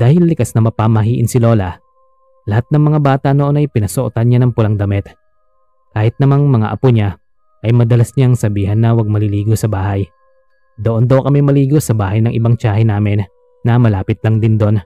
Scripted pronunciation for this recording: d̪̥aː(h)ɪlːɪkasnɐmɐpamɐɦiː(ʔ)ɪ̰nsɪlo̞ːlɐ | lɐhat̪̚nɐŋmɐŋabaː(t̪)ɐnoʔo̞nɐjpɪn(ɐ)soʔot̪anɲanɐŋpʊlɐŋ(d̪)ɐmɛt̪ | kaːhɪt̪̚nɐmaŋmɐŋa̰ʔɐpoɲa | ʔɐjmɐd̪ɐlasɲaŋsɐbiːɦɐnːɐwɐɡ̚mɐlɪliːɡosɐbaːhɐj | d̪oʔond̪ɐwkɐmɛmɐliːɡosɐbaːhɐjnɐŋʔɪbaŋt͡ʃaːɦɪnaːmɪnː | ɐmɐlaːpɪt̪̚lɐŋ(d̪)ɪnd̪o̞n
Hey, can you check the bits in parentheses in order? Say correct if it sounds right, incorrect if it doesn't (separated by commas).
correct, correct, correct, correct, correct, correct